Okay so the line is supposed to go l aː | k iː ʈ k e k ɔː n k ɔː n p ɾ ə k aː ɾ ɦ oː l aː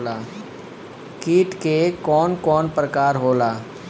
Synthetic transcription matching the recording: l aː | k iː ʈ k e k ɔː n k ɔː n p ɾ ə k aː ɾ ɦ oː l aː